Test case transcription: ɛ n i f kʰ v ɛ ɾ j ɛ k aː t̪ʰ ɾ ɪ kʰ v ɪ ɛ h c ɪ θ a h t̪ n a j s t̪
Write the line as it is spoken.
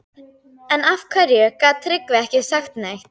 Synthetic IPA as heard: ɛ n a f kʰ v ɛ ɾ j ɛ k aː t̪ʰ ɾ ɪ k v ɪ ɛ h c ɪ s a x t̪ n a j x t̪